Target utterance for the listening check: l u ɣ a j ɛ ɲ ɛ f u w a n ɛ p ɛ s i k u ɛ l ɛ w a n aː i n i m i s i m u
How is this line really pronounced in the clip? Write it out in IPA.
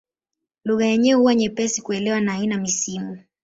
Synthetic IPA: l u ɣ a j ɛ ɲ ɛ h u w a ɲ ɛ p ɛ s i k u ɛ l ɛ w a n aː i n a m i s i m u